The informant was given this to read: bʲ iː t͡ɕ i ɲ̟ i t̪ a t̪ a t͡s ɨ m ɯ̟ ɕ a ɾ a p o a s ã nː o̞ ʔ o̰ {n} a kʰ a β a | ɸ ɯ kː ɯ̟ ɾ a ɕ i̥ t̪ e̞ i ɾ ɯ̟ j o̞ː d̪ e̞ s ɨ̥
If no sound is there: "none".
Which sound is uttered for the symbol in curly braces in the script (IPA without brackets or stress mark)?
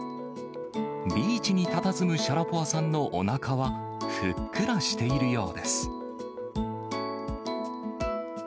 n